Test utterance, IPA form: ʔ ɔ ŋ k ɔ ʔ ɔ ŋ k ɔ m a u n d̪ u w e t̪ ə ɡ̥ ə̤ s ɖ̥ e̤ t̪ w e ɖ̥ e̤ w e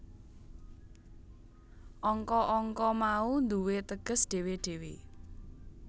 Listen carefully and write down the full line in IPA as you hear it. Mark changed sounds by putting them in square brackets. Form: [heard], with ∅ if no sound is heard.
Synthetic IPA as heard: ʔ ɔ ŋ k ɔ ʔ ɔ ŋ k ɔ m a u n d̪ u w e t̪ ə ɡ̥ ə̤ s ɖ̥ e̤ [∅] w e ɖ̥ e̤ w e